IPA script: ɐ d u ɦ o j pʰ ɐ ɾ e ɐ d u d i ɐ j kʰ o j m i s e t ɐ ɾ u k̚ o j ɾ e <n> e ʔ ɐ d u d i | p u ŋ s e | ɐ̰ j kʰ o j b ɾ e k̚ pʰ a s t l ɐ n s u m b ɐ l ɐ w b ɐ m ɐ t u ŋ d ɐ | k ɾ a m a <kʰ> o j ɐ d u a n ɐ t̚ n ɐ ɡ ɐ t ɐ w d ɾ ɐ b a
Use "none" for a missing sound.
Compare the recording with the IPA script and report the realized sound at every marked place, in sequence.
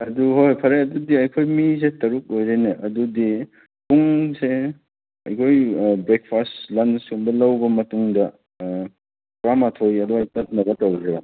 n, tʰ

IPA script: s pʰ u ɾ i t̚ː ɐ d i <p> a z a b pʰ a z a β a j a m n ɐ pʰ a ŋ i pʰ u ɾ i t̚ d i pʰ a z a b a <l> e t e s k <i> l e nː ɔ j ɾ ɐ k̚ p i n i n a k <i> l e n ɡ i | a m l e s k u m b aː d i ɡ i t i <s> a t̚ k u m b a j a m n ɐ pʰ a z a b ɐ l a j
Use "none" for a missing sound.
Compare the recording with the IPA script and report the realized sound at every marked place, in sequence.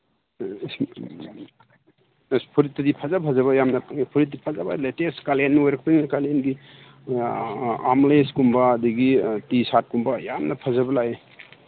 pʰ, l, a, a, s

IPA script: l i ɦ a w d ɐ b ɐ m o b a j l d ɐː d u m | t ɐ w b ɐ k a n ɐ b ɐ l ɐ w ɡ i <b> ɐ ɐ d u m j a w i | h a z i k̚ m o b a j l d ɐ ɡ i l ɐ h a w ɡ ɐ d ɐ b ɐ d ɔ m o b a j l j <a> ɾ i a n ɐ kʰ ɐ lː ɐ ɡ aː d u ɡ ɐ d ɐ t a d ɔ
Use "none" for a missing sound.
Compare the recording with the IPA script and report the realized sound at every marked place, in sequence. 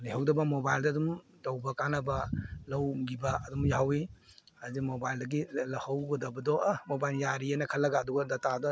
b, a

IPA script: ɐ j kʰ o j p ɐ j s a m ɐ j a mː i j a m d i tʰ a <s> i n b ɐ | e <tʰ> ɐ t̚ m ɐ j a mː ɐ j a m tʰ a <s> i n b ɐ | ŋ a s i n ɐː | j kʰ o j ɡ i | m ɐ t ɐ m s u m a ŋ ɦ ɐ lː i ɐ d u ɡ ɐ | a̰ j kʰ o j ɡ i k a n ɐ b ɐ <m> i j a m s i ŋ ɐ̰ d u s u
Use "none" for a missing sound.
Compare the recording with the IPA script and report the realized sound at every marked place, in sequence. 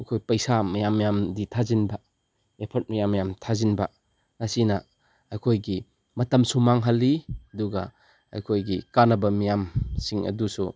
z, pʰ, z, m

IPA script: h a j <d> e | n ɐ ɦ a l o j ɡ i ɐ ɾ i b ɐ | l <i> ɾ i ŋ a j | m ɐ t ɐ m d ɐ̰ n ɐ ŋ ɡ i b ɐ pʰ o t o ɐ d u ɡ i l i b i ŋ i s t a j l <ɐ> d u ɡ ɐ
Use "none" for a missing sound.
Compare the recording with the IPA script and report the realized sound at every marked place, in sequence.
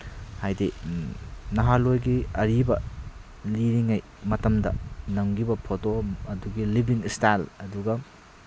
d, i, ɐ

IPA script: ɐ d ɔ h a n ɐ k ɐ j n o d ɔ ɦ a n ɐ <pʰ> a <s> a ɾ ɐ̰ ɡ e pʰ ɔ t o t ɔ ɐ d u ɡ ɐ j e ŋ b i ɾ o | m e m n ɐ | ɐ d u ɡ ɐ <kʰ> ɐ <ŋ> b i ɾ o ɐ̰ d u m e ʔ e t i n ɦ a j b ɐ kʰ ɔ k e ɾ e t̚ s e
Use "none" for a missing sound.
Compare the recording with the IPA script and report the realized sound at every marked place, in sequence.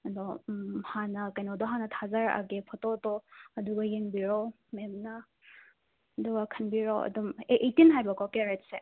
tʰ, z, kʰ, n

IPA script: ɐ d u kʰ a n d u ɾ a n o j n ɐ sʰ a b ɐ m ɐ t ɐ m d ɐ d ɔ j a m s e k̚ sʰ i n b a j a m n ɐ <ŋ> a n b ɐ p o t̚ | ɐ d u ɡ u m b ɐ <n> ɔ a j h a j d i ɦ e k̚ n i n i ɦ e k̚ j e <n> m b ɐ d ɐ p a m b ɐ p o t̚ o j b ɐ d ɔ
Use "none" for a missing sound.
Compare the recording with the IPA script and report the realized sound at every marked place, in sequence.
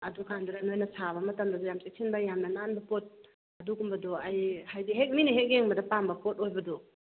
n, d, ŋ

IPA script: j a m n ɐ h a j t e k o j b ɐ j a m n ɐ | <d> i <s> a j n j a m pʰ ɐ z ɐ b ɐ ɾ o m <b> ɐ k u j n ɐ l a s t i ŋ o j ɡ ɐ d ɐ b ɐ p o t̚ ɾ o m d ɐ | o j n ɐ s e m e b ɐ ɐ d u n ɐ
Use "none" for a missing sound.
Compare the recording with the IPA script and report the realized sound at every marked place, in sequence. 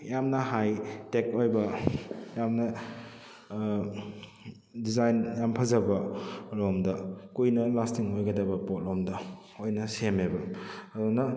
d, z, d

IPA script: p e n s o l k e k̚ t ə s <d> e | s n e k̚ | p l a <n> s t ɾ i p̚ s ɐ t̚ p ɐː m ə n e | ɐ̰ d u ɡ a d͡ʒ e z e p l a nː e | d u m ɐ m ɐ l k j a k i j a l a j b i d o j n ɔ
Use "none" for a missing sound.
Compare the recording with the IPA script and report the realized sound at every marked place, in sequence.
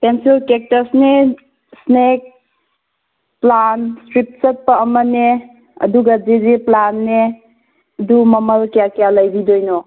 n, n

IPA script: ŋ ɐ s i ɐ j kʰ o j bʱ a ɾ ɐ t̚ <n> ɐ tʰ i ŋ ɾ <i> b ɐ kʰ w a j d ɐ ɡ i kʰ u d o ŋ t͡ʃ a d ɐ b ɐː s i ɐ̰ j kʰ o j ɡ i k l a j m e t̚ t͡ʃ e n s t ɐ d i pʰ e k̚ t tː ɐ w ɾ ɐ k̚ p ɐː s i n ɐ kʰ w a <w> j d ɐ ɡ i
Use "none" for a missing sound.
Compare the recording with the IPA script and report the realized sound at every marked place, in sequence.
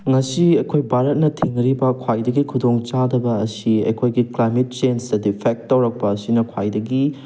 n, i, none

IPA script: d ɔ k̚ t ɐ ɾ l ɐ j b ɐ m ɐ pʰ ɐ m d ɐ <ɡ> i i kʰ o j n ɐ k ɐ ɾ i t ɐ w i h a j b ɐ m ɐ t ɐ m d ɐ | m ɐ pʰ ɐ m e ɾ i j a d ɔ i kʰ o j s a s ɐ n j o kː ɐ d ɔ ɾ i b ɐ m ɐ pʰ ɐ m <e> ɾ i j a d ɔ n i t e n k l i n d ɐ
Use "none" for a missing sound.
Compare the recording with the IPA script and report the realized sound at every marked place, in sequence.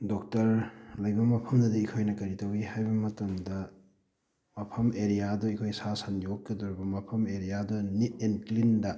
d, e

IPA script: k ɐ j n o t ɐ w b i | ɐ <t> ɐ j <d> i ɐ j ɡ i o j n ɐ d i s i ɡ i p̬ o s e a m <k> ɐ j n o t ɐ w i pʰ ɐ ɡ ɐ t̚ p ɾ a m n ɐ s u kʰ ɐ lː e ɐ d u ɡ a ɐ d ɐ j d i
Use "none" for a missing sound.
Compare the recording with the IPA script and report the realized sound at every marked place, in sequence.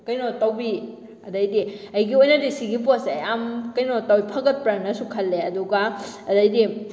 d, d, k

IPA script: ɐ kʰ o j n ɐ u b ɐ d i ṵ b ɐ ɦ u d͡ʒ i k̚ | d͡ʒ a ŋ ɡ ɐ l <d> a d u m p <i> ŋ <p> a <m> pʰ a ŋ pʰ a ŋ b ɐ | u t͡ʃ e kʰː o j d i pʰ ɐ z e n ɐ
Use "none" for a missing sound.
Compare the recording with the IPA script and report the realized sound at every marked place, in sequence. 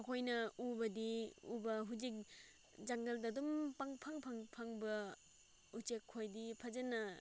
d, a, pʰ, ŋ

